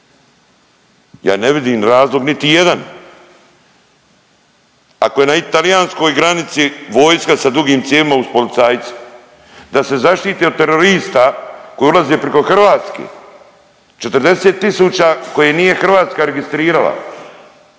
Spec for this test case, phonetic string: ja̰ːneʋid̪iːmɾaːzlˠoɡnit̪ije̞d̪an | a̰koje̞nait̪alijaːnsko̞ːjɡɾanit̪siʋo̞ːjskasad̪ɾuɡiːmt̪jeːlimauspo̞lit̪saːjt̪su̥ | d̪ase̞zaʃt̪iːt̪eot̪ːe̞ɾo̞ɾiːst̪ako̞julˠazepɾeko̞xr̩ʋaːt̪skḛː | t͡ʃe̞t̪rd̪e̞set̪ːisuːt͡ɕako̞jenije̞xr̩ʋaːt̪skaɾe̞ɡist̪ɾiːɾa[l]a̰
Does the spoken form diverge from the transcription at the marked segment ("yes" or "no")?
no